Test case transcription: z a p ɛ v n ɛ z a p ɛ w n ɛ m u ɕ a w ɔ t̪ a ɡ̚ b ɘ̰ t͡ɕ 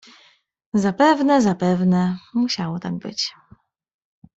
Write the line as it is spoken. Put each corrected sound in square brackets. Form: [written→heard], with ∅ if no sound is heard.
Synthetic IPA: z a p ɛ v n ɛ z a p ɛ [w→v] n ɛ m u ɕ a w ɔ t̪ a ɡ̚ b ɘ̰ t͡ɕ